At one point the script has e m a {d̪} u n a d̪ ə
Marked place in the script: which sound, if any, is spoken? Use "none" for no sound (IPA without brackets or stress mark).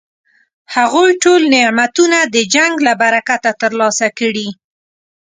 t̪